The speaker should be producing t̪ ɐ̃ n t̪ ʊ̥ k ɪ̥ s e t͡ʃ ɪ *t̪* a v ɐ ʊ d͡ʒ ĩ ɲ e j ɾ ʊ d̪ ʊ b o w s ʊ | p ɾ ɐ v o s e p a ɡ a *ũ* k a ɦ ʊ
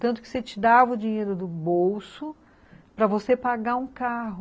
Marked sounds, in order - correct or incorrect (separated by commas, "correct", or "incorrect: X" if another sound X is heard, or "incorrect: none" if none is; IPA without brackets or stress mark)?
incorrect: d̪, correct